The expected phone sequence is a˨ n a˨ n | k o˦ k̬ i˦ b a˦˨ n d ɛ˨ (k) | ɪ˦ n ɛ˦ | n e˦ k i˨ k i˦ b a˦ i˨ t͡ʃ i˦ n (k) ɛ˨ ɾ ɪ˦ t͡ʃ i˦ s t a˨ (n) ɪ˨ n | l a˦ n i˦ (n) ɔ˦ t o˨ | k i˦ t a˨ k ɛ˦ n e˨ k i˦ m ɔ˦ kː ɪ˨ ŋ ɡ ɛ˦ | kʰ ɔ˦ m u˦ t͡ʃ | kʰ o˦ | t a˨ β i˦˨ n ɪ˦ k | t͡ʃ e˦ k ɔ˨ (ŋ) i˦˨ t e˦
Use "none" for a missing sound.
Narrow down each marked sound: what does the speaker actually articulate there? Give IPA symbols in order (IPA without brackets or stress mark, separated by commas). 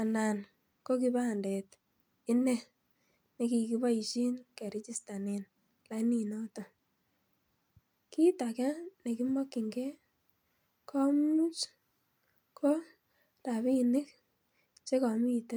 t, k, n, n, m